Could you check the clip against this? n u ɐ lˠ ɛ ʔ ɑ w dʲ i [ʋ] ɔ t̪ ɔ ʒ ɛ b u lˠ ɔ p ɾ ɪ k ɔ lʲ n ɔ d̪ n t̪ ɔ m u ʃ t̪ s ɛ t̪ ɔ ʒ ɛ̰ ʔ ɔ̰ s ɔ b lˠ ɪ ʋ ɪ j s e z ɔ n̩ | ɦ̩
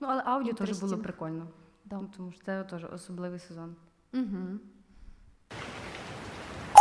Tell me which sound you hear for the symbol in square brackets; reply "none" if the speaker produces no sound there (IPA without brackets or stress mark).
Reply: none